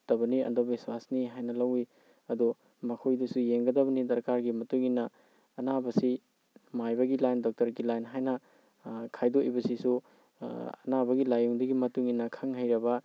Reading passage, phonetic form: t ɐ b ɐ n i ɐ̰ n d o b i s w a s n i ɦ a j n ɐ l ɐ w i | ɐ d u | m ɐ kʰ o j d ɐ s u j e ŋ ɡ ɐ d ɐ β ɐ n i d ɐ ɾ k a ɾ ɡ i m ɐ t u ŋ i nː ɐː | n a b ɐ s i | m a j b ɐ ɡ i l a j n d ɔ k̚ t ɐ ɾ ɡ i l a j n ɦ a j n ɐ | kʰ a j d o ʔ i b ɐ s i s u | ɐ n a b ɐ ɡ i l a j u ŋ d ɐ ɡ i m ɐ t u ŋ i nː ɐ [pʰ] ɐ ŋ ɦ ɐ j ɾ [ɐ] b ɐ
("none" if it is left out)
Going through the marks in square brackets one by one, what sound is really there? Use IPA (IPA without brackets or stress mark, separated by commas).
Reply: kʰ, ɐ